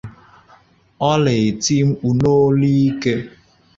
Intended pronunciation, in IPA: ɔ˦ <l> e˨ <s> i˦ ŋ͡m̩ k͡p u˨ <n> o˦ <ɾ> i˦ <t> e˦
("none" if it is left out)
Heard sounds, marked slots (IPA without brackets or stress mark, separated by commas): l, t, n, l, k